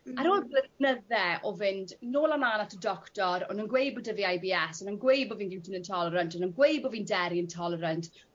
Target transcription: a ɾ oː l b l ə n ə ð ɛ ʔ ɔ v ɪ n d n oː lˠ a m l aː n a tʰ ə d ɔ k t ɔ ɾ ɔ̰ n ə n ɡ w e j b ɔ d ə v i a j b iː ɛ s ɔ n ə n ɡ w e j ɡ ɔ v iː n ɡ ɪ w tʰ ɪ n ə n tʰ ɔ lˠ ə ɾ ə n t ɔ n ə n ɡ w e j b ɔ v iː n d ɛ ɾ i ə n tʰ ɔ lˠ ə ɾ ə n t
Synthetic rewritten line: a ɾ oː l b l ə n ə ð ɛ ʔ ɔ v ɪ n d n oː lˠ a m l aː n a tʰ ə d ɔ k t ɔ ɾ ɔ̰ n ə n ɡ w e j b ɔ d ə v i a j b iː ɛ s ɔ n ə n ɡ w e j b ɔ v iː n ɡ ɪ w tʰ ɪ n ə n tʰ ɔ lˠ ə ɾ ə n t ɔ n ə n ɡ w e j b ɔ v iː n d ɛ ɾ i ə n tʰ ɔ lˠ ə ɾ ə n t